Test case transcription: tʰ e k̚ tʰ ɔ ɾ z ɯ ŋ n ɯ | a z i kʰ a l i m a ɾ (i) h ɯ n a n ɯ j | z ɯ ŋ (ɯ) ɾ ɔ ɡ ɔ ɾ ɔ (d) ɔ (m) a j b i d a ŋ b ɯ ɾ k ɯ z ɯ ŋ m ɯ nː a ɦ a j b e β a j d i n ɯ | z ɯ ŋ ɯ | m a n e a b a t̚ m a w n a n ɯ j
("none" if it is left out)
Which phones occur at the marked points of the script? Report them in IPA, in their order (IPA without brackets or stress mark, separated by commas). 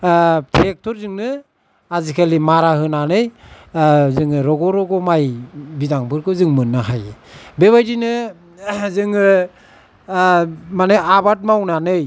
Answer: a, ɯ, ɡ, m